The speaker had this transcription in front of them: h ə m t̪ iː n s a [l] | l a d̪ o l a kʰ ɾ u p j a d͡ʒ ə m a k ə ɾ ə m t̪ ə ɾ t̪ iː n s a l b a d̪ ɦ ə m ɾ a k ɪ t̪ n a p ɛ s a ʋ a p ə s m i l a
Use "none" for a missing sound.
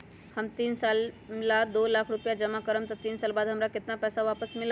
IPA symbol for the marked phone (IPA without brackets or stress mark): l